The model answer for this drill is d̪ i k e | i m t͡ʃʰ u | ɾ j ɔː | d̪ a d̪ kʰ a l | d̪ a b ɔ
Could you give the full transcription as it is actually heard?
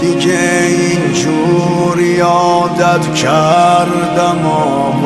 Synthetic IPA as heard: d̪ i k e | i n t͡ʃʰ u | ɾ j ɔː | d̪ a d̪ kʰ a ɾ | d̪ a m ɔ